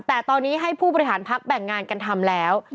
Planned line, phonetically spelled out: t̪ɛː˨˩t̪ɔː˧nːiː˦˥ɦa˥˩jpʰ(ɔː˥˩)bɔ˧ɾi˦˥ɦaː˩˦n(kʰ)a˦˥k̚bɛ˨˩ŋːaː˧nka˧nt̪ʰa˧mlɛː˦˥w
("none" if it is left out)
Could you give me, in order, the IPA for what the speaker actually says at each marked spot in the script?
uː˥˩, pʰ

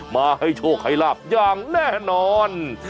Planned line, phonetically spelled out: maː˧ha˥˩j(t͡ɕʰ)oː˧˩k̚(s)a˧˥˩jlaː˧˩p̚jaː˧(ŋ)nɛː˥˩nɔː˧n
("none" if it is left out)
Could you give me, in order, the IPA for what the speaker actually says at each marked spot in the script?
t͡ɕʰ, h, ŋ

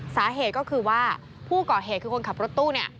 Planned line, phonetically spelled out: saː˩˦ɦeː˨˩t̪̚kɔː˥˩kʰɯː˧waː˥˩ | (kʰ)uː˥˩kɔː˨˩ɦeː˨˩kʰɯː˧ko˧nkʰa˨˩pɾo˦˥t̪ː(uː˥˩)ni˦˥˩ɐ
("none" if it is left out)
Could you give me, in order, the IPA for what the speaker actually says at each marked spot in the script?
pʰ, uː˥˩

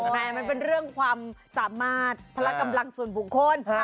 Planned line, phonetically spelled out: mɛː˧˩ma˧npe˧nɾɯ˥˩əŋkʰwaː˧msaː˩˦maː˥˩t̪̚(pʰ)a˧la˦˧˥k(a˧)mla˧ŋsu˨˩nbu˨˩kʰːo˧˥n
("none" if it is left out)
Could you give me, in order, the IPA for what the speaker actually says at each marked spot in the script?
pʰ, a˧

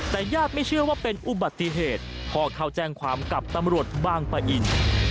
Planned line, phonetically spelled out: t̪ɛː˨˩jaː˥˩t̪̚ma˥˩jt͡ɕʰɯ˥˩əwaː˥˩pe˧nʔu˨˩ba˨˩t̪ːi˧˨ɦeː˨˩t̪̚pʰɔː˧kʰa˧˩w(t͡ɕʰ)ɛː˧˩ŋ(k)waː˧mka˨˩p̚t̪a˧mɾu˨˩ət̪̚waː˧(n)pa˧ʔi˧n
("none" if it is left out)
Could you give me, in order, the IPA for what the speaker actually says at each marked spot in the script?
t͡ɕ, kʰ, ŋ

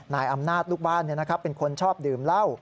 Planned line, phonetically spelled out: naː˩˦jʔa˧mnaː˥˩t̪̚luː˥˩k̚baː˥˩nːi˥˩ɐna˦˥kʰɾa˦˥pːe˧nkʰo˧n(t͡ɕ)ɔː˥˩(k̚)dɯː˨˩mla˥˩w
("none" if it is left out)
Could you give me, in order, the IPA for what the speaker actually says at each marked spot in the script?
t͡ɕʰ, p̚

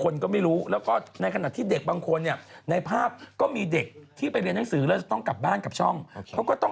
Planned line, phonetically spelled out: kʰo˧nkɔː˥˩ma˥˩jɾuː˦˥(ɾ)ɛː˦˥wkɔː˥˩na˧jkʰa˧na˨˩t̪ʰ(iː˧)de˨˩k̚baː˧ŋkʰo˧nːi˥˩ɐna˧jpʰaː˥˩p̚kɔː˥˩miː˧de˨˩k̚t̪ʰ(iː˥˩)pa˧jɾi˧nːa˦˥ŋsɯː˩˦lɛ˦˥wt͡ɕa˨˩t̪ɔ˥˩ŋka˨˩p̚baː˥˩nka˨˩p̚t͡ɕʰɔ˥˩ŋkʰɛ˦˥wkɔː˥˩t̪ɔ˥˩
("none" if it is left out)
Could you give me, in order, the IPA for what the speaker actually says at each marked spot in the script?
l, iː˥˩, iː˥˩

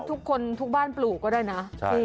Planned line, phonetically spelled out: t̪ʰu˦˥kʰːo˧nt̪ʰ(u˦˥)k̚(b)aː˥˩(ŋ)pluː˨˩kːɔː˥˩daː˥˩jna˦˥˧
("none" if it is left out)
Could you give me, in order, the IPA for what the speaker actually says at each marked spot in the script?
u˦˥, b, n

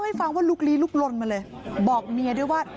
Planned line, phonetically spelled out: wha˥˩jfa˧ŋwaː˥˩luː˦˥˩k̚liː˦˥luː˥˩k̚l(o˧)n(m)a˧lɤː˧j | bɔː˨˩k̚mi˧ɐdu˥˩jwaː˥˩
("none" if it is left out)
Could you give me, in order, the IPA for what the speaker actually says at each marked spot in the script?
o˧, m

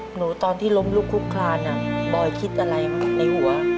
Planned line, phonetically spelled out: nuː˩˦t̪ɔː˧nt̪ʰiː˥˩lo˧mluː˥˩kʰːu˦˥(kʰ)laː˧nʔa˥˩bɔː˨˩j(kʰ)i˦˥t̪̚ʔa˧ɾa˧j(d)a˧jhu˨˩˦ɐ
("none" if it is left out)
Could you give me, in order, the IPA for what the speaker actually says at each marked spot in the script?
kʰ, kʰ, n

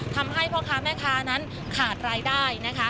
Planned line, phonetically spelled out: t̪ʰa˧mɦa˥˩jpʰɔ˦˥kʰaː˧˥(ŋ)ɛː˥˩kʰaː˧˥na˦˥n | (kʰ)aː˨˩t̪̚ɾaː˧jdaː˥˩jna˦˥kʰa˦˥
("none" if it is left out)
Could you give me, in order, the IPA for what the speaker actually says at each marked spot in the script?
m, kʰ

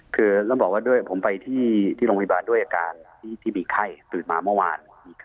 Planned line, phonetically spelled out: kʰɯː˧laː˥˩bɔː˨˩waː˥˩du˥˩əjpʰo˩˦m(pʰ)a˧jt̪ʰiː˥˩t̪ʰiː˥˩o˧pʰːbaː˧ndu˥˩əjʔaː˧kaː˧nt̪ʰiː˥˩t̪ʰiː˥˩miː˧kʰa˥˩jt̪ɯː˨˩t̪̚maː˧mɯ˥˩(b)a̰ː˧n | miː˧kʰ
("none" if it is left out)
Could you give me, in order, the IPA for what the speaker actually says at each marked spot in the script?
p, w

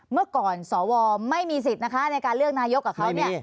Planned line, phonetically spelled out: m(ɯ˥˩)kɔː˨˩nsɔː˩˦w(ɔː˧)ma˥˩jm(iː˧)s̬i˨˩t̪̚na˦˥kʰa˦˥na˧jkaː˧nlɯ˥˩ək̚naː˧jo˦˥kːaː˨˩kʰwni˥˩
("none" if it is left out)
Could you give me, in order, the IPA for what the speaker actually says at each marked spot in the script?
ɯ˥˩, ɔː˧, iː˧

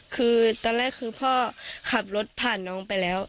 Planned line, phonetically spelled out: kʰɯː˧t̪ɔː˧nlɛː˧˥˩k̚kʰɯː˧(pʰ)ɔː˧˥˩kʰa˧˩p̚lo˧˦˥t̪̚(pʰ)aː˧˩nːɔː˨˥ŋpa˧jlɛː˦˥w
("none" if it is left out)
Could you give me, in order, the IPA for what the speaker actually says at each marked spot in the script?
pʰ, pʰ

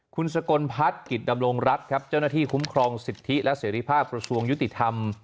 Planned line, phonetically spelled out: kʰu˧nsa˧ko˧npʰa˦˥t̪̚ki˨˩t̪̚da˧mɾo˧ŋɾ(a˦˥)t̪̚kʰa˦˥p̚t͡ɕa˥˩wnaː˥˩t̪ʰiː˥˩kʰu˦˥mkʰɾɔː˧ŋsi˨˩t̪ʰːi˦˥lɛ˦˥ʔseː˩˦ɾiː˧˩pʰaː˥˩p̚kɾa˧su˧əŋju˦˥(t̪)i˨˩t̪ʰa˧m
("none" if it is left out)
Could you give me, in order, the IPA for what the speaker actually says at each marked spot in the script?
a˦˥, t̪

